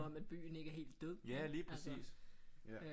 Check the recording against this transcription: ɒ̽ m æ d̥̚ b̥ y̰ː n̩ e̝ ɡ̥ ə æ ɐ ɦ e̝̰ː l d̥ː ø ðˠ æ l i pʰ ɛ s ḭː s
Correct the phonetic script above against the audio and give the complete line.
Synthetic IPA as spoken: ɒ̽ m æ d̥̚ b̥ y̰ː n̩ e̝ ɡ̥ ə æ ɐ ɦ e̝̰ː l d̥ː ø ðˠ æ l iː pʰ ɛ s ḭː s